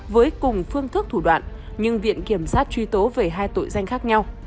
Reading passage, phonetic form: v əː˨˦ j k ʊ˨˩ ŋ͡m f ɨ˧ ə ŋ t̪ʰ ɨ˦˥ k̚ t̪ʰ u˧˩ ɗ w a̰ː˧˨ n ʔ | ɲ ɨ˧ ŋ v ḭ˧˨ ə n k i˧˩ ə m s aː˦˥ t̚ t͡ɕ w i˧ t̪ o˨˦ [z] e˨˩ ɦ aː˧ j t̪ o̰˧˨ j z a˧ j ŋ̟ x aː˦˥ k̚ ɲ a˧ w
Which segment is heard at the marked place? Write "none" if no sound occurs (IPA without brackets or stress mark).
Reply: v